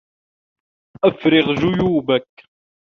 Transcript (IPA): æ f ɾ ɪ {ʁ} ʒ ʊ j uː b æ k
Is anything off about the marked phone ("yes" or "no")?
no